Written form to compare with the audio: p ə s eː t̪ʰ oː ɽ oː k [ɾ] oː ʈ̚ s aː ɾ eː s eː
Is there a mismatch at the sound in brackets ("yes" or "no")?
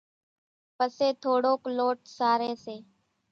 yes